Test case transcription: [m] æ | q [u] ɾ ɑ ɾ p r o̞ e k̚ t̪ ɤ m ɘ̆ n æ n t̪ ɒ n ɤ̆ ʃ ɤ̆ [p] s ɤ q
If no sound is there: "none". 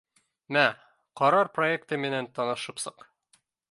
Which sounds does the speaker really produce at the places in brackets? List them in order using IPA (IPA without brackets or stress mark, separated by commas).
m, ɒ, p